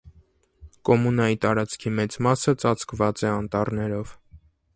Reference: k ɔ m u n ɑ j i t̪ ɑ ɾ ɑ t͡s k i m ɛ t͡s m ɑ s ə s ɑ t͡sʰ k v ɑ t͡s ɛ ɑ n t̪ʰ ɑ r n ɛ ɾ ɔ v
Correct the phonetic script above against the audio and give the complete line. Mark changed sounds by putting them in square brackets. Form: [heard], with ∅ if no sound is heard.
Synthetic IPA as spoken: k ɔ m u n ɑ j i t̪ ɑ ɾ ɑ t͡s [kʰ] i m ɛ t͡s m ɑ s ə [t͡s] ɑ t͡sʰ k v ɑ t͡s ɛ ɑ n [t̪] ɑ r n ɛ ɾ ɔ v